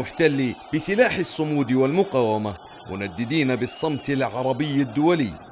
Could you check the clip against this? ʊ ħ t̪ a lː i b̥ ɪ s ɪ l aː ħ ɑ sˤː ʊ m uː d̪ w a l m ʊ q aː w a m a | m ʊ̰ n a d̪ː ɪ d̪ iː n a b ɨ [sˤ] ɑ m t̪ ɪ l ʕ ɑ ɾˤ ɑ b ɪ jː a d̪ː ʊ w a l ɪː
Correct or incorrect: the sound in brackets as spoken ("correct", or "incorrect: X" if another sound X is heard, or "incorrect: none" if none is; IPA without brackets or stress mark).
incorrect: sˤː